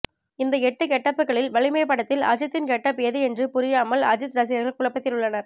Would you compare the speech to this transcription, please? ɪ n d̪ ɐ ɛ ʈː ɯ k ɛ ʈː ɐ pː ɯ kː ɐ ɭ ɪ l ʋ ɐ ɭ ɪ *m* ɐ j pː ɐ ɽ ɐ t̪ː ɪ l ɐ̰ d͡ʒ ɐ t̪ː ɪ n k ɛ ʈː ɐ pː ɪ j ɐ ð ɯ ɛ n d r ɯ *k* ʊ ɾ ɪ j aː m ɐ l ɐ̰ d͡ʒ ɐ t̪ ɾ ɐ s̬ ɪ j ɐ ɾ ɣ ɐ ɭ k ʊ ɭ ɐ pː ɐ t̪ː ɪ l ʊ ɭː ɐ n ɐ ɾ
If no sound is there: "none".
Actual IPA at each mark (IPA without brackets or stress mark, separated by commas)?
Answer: m, p